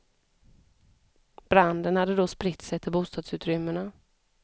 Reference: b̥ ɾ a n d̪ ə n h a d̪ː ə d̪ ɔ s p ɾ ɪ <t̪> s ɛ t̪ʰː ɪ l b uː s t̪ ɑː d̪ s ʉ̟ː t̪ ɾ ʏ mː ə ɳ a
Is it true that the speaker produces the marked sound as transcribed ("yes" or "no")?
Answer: yes